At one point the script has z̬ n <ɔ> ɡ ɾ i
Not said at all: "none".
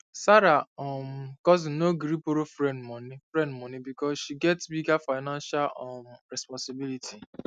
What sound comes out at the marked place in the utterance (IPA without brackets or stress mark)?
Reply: o